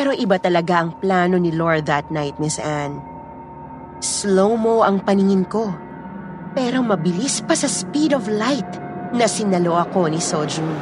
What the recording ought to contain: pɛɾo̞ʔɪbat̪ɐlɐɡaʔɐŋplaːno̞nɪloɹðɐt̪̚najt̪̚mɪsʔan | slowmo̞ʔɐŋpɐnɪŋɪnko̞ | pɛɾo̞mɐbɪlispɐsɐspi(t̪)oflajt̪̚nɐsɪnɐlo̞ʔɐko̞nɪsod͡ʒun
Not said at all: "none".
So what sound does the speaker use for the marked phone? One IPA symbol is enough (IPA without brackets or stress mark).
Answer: d̪